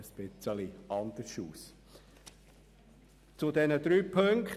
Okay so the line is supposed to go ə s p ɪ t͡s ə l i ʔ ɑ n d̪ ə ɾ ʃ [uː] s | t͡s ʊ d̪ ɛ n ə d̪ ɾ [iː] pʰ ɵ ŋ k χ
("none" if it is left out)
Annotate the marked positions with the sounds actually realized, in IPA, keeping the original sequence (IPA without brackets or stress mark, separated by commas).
uː, yː